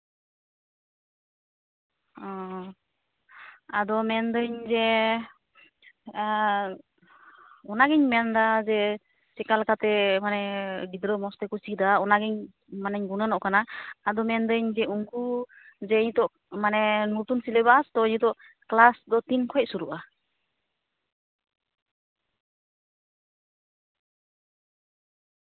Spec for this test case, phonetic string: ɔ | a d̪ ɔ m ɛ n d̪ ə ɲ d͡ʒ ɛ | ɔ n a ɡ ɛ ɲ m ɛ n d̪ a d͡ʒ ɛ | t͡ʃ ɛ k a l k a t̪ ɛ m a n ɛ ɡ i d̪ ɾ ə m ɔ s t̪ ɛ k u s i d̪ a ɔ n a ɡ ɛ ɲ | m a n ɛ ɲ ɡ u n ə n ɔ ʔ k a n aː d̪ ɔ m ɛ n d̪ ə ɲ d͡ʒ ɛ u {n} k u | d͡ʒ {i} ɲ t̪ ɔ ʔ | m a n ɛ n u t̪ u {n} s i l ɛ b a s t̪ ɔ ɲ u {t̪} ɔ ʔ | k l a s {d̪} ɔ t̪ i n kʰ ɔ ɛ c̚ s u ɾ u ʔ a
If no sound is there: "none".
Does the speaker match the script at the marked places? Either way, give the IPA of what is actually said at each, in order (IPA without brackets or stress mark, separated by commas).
ŋ, ɛ, n, t̪, d̪